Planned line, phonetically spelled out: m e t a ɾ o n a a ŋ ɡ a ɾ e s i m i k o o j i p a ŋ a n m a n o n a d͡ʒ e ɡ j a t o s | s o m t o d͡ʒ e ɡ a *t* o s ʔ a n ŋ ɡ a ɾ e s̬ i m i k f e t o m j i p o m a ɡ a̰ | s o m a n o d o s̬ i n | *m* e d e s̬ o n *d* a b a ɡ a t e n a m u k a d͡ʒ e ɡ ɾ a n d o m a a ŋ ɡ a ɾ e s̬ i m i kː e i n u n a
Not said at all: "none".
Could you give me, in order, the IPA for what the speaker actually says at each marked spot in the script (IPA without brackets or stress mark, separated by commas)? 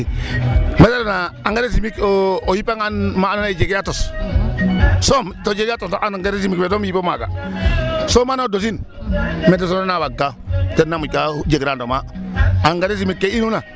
t, m, n